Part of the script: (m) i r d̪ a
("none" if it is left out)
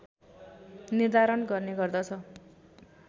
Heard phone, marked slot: n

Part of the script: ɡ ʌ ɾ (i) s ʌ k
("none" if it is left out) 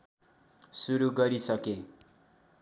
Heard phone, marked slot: i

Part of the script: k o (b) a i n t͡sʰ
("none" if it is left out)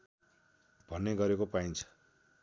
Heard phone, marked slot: p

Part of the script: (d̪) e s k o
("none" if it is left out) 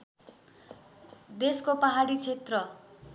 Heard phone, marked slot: d̪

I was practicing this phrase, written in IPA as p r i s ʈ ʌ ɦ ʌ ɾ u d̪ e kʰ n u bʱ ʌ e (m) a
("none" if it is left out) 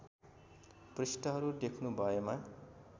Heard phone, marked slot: m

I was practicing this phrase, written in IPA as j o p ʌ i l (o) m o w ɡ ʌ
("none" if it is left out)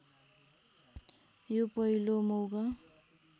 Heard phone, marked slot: o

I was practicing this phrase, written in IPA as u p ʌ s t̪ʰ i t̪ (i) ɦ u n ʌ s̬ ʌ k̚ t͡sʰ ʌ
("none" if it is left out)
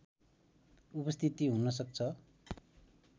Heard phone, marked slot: i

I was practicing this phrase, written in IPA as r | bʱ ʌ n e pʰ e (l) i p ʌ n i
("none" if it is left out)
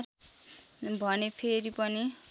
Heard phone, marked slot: ɾ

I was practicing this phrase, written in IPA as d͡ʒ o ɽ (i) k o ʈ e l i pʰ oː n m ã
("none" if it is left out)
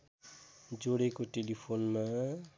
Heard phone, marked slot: e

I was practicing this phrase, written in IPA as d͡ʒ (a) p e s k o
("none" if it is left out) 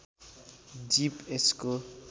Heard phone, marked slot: i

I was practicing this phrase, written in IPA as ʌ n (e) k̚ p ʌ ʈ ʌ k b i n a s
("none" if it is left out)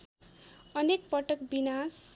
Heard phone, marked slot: e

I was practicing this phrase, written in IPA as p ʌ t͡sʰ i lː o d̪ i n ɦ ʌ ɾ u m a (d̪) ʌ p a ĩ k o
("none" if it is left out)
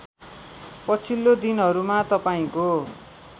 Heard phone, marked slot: t̪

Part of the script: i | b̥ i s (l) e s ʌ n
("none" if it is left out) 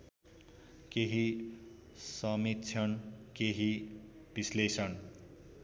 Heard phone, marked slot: l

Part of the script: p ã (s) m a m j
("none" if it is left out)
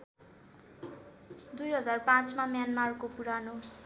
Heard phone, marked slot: t͡s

